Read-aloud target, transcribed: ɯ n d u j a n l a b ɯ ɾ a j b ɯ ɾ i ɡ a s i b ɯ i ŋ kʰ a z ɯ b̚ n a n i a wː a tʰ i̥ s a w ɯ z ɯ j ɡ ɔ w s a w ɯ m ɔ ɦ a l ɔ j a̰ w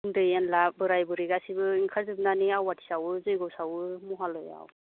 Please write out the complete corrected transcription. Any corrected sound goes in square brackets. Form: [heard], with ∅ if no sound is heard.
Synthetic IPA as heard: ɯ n d [ɯ] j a n l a b ɯ ɾ a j b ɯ ɾ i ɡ a s i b ɯ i ŋ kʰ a z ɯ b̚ n a n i a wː a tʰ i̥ s a w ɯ z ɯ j ɡ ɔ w s a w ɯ m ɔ ɦ a l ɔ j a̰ w